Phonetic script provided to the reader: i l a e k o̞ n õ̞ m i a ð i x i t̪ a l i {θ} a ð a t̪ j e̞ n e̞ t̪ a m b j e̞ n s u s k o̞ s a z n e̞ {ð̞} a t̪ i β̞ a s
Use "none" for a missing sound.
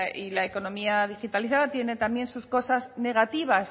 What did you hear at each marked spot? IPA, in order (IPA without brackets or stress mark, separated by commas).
θ, ɣ̞